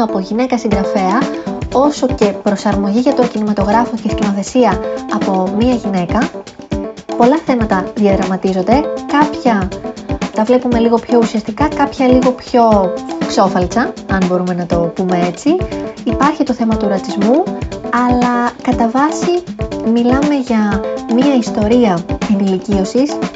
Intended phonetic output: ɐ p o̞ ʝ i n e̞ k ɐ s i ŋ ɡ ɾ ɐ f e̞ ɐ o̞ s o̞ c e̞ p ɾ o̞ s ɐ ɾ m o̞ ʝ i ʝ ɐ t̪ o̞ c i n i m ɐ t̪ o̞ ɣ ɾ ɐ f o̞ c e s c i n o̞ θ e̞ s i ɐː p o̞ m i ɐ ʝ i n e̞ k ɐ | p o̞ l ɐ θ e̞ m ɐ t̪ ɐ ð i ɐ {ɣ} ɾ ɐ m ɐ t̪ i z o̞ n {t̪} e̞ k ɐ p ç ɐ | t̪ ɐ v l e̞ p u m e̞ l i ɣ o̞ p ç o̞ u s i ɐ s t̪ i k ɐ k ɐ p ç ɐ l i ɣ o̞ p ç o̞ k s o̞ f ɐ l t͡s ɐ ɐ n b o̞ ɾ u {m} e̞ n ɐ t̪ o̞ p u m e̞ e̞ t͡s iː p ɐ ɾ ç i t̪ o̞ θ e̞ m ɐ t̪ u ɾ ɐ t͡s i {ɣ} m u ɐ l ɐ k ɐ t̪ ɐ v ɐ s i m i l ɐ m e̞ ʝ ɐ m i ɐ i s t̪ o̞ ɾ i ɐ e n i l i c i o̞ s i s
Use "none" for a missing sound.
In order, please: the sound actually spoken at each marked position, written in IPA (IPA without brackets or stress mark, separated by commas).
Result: ð, d̪, m, z